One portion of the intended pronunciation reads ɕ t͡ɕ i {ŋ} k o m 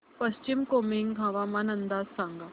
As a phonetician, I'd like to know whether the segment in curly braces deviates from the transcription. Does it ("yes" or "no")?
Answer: yes